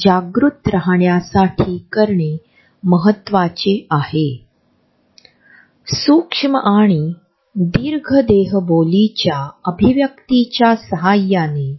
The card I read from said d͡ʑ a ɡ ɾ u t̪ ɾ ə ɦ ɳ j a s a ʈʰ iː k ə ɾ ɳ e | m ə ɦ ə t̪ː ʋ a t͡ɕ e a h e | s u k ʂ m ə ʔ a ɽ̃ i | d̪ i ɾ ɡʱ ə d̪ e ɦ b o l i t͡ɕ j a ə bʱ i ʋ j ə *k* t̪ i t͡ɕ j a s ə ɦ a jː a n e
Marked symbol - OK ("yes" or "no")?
yes